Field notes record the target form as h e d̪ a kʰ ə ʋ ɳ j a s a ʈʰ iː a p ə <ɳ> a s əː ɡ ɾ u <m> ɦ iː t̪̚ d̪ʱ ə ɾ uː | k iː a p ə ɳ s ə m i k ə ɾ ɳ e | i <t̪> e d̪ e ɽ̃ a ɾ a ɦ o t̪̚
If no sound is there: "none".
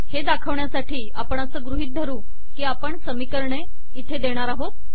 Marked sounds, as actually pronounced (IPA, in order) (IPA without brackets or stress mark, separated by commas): ɳ, none, t̪ʰ